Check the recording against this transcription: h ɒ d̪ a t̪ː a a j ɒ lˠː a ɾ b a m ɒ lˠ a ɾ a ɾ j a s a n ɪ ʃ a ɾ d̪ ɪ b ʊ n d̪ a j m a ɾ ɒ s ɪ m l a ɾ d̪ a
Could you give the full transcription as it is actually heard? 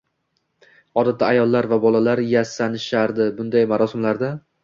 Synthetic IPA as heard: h ɒ d̪ a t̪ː a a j ɒ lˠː a ɾ v a b ɒ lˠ a l a ɾ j a s a n ɪ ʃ a ɾ d̪ ɪ b ʊ n d̪ a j m a ɾ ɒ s ɪ m l a ɾ d̪ a